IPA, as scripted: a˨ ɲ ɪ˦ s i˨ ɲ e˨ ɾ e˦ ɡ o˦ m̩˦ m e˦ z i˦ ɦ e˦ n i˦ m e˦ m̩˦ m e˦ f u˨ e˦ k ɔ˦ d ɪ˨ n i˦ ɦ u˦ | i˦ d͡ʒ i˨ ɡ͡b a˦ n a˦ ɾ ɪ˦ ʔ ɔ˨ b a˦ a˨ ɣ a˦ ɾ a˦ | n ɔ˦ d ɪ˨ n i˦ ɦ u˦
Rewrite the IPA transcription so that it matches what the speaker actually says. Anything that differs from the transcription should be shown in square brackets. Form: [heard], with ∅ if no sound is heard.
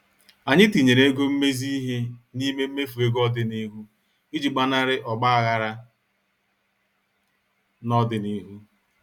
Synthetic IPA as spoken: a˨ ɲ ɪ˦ [t] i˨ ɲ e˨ ɾ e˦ ɡ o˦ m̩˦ m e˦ z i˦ ɦ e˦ n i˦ m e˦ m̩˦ m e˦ f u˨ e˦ [ɡ] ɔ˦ d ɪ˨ n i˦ ɦ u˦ | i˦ d͡ʒ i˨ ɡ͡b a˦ n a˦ ɾ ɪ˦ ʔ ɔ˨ [ɡ͡b] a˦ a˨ ɣ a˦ ɾ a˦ | n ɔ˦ d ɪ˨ n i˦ ɦ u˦